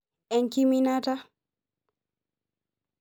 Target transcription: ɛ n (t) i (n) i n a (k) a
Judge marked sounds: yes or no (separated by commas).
no, no, no